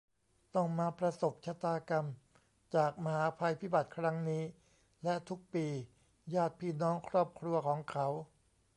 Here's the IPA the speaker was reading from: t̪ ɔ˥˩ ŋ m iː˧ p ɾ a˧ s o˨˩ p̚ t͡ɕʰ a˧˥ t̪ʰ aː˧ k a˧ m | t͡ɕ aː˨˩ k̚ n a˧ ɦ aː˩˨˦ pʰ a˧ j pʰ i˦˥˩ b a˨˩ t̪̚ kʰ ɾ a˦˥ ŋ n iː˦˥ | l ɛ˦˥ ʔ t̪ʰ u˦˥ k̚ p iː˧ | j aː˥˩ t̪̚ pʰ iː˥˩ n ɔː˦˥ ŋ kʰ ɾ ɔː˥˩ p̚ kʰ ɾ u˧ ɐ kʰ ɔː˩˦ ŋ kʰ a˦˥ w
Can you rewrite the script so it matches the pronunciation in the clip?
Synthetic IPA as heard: t̪ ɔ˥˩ ŋ m aː˧ p ɾ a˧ s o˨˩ p̚ t͡ɕʰ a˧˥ t̪ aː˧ k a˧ m | t͡ɕ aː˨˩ k̚ m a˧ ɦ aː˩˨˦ pʰ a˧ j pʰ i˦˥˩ b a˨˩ t̪̚ kʰ ɾ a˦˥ ŋ n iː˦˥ | l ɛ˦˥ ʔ t̪ʰ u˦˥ k̚ p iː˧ | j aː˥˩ t̪̚ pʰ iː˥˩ n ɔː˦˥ ŋ kʰ ɾ ɔː˥˩ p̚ kʰ ɾ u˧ ɐ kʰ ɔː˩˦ ŋ kʰ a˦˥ w